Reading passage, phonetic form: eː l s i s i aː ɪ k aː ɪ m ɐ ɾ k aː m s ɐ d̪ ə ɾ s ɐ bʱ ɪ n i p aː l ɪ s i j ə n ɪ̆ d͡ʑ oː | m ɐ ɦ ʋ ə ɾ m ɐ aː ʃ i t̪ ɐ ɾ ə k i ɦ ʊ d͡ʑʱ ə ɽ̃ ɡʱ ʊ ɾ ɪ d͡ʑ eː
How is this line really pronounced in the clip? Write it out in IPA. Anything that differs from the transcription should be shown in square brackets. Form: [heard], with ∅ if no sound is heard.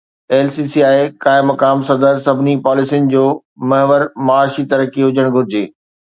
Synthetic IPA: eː l s i s i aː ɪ k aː ɪ m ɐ [∅] k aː m s ɐ d̪ ə ɾ s ɐ bʱ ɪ n i p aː l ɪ s i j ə n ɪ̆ d͡ʑ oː | m ɐ ɦ ʋ ə ɾ m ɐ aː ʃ i t̪ ɐ ɾ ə k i ɦ ʊ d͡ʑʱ ə ɽ̃ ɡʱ ʊ ɾ ɪ d͡ʑ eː